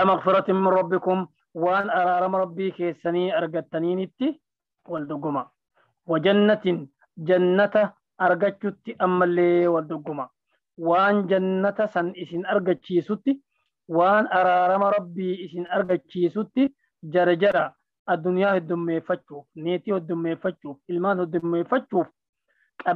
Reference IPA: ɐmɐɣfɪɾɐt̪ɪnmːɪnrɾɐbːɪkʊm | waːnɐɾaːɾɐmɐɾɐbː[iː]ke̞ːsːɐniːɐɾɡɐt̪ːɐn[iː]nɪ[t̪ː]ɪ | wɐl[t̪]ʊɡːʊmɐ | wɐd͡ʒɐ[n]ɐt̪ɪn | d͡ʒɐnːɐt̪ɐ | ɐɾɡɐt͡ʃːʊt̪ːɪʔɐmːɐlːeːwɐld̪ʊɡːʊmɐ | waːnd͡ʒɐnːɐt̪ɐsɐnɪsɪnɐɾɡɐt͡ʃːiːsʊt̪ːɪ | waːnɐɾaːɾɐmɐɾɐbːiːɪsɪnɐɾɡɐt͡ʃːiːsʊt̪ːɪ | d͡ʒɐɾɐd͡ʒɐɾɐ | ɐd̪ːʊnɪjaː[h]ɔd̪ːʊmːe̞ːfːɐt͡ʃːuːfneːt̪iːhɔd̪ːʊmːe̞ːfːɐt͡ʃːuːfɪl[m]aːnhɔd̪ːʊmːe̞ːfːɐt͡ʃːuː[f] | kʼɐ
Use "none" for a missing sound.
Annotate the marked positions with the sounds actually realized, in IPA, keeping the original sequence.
iː, iː, t̪ː, d̪, nː, h, m, f

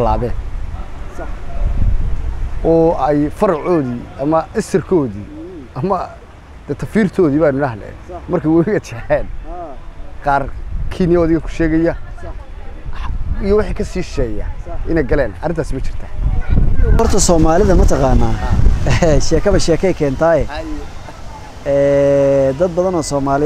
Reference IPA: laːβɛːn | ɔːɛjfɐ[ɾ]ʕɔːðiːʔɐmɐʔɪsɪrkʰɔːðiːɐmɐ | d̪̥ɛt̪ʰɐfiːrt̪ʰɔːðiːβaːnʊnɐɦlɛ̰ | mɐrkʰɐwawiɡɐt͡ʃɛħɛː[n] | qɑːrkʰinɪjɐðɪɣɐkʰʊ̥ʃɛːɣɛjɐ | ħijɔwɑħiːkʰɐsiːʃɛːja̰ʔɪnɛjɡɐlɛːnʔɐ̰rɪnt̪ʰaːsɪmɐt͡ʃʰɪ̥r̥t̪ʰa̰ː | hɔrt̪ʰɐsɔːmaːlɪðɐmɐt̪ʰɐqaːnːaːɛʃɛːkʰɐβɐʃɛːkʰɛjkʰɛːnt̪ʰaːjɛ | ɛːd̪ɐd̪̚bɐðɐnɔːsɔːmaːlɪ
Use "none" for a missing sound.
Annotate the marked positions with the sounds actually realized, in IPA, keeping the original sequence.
ɾ, n

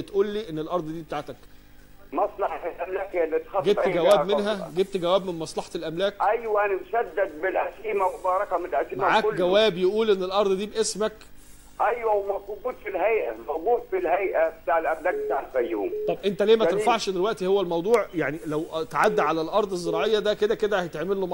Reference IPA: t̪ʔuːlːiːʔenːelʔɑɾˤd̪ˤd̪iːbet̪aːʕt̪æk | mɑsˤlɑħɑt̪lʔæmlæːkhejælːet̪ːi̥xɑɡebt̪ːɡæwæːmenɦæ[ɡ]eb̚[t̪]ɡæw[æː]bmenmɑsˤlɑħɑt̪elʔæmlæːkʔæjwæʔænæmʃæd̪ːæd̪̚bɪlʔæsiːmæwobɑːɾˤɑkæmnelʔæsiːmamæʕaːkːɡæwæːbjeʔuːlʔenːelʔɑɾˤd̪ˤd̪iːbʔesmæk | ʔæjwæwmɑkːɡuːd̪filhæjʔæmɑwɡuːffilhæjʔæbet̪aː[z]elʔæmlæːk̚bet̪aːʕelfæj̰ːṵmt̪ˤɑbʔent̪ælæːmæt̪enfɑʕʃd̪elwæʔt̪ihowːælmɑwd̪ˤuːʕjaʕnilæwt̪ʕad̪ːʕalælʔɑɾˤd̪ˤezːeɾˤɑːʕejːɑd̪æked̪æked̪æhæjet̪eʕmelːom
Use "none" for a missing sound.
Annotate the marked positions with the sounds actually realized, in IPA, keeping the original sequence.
ɡ, t̪, æː, ʕ

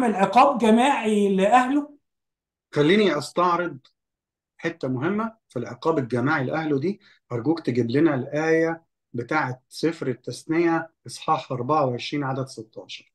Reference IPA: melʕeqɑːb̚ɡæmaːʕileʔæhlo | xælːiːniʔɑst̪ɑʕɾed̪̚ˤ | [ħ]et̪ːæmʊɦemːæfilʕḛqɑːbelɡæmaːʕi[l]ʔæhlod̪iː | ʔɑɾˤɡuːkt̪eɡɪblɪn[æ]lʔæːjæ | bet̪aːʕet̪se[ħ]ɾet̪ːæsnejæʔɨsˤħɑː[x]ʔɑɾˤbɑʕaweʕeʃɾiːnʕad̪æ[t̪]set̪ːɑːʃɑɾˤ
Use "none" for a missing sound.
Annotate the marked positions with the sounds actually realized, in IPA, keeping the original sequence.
ħ, l, æ, f, ħ, d̪

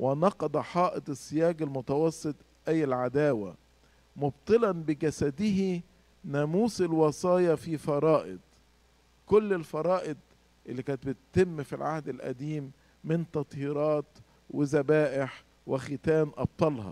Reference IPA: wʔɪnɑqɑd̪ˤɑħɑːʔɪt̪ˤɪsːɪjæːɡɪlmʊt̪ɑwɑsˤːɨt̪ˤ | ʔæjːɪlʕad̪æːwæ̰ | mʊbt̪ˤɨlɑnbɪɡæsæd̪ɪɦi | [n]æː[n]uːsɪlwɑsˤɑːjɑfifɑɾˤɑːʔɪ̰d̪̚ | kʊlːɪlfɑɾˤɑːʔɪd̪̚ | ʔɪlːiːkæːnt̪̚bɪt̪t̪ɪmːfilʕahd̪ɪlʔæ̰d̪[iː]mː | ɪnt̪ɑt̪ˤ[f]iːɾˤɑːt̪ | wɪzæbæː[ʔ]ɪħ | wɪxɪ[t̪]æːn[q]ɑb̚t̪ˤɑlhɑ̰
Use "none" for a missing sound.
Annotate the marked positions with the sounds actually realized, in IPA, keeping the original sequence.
n, m, iː, h, ʔ, t̪, ʔ

